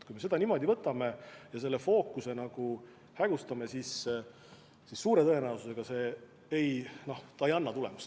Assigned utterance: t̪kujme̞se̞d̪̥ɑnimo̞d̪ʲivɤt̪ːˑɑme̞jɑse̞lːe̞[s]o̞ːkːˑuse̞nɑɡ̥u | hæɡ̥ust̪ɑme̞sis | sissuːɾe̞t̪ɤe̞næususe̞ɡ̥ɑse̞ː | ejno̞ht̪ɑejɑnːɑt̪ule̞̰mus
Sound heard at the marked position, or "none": f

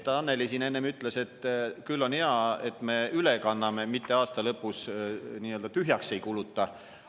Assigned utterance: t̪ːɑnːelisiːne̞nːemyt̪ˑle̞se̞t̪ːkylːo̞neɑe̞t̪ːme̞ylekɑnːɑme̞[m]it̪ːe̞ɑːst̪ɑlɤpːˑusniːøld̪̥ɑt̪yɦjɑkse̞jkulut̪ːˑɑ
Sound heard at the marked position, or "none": m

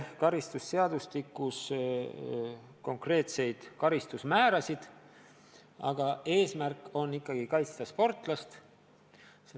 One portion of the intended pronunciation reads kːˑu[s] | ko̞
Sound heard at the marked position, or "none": s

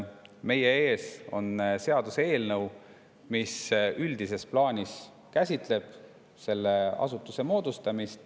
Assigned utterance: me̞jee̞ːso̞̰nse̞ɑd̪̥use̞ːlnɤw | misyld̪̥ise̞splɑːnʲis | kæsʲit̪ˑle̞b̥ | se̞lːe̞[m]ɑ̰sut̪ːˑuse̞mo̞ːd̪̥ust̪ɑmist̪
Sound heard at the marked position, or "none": none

